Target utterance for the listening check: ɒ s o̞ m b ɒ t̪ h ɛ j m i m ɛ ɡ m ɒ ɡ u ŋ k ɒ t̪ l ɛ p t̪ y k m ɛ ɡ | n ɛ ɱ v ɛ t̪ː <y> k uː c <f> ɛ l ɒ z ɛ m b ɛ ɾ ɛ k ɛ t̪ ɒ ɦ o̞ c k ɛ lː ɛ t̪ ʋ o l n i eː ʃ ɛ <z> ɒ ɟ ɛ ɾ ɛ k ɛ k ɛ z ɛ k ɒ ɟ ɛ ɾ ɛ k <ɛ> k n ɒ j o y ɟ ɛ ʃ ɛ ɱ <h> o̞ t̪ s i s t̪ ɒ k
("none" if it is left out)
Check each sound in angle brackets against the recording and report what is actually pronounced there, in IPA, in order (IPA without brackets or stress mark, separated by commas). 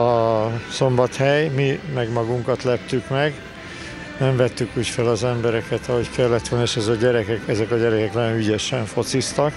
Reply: y, f, z, ɛ, f